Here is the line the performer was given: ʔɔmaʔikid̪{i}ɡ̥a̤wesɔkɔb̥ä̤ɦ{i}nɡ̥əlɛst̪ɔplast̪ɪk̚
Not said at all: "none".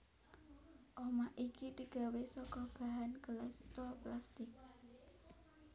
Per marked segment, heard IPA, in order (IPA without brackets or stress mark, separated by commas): i, a